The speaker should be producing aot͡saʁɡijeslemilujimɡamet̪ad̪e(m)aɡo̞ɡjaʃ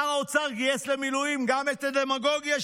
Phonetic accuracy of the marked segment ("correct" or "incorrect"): correct